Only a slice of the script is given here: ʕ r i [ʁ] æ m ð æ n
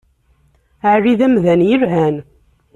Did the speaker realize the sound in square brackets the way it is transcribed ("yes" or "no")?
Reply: no